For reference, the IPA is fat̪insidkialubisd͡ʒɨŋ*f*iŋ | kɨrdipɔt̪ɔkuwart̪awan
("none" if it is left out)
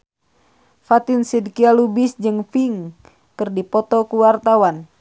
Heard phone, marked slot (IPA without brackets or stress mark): f